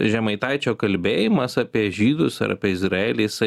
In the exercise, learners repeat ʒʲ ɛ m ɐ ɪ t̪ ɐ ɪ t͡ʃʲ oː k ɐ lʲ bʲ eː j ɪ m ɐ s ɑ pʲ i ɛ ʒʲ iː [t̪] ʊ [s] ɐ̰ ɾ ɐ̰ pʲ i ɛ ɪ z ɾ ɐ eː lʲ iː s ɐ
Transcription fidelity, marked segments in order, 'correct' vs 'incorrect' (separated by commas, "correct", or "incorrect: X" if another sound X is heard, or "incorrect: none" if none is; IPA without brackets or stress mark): incorrect: d̪, correct